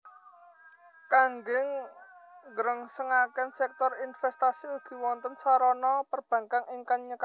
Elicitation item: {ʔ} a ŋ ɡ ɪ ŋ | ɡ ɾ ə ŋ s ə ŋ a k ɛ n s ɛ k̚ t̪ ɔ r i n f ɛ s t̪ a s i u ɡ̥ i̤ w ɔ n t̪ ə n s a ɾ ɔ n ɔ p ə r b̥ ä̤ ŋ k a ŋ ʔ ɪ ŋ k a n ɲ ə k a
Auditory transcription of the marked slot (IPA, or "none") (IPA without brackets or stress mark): k